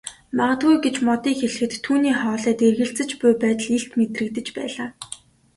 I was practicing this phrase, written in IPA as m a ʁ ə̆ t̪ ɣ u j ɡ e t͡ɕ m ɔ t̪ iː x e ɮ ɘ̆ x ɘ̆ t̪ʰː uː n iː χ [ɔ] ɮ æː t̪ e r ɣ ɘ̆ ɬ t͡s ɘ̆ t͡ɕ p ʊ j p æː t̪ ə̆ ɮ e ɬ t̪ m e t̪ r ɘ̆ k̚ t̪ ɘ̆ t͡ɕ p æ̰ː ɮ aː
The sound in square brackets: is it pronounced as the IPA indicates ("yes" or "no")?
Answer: no